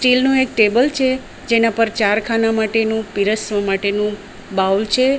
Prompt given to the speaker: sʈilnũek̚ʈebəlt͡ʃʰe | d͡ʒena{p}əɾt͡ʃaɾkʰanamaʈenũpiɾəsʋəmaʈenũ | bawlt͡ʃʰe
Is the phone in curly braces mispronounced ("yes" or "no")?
no